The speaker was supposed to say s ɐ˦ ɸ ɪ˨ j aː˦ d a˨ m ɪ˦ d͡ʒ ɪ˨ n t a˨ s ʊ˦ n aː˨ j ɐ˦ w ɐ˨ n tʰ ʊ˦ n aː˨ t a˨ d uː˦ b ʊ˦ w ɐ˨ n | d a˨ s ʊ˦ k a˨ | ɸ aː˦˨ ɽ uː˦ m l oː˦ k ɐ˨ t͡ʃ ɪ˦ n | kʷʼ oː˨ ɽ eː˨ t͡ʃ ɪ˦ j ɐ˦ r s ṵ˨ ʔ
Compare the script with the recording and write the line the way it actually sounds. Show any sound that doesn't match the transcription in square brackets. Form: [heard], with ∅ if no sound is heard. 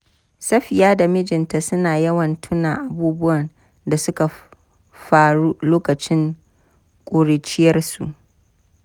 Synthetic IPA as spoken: s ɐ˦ ɸ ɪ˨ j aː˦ d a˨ m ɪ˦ d͡ʒ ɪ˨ n t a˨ s ʊ˦ n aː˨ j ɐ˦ w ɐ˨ n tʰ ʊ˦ n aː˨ [ʔ] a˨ [b] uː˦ b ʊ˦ w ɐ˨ n | d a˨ s ʊ˦ k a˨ | ɸ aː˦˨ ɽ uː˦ [∅] l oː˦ k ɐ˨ t͡ʃ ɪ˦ [ŋ] | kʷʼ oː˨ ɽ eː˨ t͡ʃ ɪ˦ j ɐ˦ r s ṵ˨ ʔ